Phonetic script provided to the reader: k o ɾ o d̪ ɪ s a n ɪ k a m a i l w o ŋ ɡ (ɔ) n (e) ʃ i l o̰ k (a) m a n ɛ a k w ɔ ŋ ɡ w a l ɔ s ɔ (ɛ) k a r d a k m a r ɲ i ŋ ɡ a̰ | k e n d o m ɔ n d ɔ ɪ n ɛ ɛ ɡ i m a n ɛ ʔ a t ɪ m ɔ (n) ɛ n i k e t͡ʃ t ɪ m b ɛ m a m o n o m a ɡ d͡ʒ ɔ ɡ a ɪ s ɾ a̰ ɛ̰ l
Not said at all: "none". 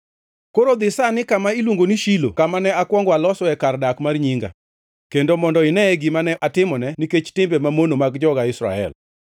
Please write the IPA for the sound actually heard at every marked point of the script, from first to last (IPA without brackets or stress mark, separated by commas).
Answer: o, i, a, ɛ, n